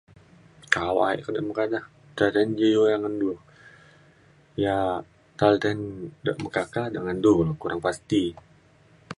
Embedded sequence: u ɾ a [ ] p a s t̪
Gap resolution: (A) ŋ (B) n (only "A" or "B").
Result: A